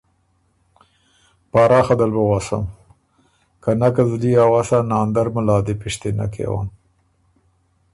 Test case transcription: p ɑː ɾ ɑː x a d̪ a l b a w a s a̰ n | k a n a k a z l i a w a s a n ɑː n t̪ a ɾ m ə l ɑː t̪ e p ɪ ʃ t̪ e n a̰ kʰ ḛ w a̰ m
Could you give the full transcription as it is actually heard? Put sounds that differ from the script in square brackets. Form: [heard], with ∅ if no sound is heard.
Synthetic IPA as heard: p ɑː ɾ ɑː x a d̪ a l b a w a s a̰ [m] | k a n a k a z l i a w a s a n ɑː n [d̪] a ɾ m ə l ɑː [d̪] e p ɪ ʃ t̪ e n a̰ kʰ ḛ w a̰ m